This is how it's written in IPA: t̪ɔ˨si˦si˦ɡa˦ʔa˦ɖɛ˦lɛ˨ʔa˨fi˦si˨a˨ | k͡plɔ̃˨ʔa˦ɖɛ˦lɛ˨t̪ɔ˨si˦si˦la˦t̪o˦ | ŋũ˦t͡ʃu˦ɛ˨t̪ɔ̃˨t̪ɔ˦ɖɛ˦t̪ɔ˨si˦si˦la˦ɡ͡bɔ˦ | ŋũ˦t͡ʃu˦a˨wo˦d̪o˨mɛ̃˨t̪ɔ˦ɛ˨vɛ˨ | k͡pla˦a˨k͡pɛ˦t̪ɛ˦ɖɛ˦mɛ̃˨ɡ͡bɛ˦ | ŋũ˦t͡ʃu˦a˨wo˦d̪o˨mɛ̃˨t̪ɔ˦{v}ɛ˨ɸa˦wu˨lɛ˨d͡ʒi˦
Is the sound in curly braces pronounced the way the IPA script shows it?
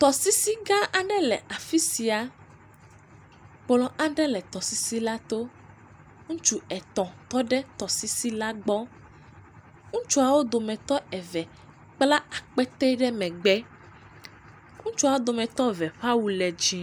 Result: yes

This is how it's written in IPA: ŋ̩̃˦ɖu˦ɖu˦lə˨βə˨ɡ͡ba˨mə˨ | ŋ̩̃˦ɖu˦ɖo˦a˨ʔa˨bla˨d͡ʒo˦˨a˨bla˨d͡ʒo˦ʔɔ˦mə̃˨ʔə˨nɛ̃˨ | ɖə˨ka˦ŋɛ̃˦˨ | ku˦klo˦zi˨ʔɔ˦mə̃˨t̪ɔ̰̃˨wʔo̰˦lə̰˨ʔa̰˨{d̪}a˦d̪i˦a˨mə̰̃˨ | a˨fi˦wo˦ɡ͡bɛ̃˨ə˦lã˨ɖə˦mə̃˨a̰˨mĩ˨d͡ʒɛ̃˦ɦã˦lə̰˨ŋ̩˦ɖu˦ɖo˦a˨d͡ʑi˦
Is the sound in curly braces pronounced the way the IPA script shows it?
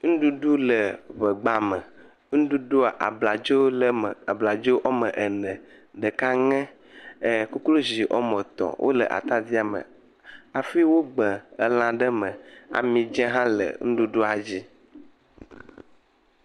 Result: no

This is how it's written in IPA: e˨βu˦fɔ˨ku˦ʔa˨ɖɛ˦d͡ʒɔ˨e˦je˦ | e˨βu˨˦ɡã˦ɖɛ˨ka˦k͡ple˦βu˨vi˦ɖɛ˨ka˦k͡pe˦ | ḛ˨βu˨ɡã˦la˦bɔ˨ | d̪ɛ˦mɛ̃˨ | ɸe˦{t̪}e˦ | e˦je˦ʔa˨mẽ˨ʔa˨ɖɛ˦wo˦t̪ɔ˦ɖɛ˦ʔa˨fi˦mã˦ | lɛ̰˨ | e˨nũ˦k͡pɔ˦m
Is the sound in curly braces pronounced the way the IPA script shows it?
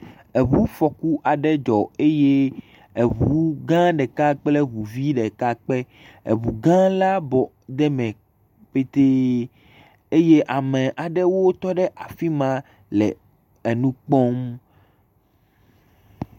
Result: yes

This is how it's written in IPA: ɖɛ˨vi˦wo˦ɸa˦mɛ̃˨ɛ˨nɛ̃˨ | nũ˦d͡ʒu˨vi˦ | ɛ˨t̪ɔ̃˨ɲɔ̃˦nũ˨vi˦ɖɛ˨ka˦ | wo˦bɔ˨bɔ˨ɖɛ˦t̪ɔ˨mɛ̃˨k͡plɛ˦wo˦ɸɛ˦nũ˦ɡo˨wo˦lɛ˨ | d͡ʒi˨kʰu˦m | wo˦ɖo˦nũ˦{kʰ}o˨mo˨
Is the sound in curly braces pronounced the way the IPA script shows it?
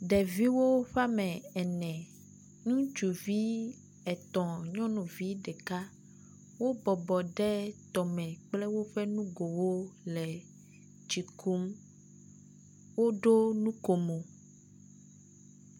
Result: no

